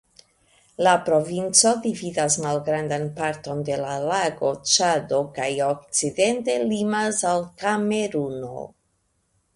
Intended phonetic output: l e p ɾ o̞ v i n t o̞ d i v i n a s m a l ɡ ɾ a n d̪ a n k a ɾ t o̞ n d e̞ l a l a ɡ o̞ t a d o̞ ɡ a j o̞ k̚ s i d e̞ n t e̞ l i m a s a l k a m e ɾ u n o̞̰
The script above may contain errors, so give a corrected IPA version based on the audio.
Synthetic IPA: l a p ɾ o̞ v i n t͡s o̞ d i v i d a s m a l ɡ ɾ a n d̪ a n p a ɾ t o̞ n d e̞ l a l a ɡ o̞ t͡ʃ a d o̞ k a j o̞ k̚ t͡s i d e̞ n t e̞ l i m a s a l k a m e ɾ u n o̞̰